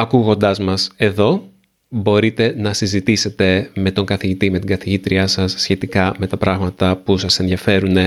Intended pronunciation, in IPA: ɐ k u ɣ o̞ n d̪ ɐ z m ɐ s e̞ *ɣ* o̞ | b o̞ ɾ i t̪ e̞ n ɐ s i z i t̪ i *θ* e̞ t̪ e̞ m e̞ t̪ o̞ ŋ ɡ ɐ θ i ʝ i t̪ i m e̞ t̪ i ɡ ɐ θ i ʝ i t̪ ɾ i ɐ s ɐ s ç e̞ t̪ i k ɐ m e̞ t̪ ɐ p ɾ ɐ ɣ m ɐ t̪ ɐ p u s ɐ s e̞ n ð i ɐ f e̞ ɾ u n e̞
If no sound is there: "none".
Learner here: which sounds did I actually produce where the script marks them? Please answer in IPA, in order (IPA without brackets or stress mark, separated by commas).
ð, s